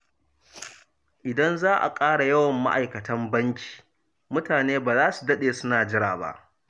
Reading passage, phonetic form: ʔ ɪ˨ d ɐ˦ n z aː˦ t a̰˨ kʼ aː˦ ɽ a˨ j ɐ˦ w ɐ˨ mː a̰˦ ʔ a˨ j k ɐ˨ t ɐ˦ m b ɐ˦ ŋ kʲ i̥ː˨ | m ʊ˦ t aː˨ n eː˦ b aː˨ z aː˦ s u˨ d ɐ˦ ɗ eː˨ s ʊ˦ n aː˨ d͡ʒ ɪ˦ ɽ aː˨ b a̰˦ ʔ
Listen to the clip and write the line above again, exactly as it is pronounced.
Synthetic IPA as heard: ʔ ɪ˨ d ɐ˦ n z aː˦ ʔ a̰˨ kʼ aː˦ ɽ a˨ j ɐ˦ w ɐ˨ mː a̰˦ ʔ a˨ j k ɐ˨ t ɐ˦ m b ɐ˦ ŋ kʲ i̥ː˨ | m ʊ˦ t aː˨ n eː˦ b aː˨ z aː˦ s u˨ d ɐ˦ ɗ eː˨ s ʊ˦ n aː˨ d͡ʒ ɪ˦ ɽ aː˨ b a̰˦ ʔ